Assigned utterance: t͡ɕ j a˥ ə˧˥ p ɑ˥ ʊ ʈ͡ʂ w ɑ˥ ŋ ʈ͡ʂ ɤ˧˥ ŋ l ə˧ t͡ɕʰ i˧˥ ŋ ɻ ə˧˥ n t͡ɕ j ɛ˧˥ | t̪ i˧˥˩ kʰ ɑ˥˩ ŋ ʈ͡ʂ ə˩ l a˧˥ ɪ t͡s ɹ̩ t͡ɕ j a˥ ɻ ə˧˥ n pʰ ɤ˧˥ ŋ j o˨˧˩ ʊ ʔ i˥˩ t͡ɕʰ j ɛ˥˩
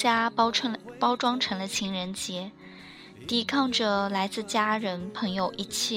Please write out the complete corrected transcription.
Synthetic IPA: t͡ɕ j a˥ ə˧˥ p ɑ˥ ʊ ʈ͡ʂ w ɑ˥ ŋ ʈ͡ʂʰ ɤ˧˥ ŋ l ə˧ t͡ɕʰ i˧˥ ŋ ɻ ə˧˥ n t͡ɕ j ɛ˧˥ | t̪ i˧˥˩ kʰ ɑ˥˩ ŋ ʈ͡ʂ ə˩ l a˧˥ ɪ t͡s ɹ̩ t͡ɕ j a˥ ɻ ə˧˥ n pʰ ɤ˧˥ ŋ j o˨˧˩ ʊ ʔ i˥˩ t͡ɕʰ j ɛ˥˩